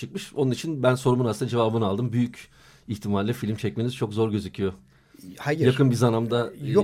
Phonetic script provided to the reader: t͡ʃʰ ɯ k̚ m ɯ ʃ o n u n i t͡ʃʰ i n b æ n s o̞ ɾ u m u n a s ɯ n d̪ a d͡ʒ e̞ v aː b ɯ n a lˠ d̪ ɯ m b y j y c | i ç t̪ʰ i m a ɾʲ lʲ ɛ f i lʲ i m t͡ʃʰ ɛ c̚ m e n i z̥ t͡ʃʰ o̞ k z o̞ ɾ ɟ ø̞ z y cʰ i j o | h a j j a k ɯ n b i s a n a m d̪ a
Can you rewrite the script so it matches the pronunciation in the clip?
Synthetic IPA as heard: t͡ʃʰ ɯ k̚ m ɯ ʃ o n u n i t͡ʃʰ i n b æ n s o̞ ɾ u m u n a s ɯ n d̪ a d͡ʒ e̞ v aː b ɯ n a lˠ d̪ ɯ m b y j y c | i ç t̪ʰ i m a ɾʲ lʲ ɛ f i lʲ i m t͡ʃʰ ɛ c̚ m e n i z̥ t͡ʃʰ o̞ k z o̞ ɾ ɟ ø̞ z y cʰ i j o | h a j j a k ɯ n b i z a n a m d̪ a